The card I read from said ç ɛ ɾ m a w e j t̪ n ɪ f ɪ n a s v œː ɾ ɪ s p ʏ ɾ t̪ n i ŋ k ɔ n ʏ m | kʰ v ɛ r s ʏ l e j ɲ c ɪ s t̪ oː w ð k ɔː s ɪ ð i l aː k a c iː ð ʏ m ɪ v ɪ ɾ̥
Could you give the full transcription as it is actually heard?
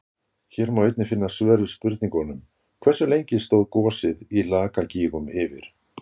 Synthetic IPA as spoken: ç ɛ ɾ m a w e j t̪ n ɪ f ɪ nː a s v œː ɾ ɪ s p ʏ ɾ t̪ n i ŋ k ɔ n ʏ m | kʰ v ɛ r s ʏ l e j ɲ c ɪ s t̪ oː w ð k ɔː s ɪ ð i l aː k a c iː ɣ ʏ m ɪ v ɪ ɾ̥